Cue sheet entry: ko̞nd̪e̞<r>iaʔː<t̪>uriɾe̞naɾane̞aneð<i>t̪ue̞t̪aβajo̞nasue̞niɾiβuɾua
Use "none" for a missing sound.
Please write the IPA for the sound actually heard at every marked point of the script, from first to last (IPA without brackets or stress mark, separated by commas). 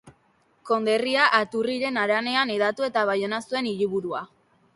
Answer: r, t̪, a